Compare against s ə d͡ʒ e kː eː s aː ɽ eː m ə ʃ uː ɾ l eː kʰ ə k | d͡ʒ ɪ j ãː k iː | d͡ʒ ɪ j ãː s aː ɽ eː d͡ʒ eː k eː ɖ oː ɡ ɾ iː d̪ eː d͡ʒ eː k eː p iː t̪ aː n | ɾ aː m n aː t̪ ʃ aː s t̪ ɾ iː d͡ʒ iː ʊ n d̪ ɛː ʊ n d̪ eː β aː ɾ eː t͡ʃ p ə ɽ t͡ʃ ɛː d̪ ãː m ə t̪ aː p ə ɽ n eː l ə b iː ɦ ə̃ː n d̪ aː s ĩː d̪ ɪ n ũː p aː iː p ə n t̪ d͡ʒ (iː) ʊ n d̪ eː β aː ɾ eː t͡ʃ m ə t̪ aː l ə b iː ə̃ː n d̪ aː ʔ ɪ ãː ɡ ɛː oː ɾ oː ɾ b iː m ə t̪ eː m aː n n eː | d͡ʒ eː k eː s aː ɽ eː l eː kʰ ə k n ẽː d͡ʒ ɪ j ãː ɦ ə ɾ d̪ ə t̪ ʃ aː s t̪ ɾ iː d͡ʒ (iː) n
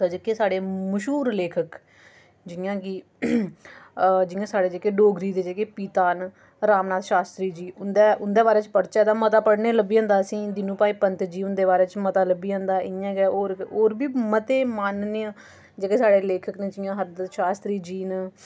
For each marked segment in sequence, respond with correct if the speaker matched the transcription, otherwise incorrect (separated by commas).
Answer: correct, correct